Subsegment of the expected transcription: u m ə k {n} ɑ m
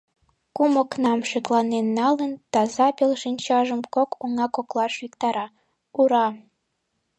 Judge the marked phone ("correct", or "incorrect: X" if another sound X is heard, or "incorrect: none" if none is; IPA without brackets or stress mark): correct